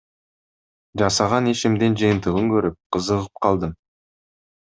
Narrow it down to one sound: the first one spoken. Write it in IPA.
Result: ʒ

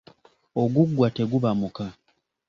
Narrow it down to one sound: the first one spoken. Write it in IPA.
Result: o̞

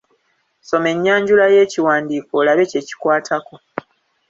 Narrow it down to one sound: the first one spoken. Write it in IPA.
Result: s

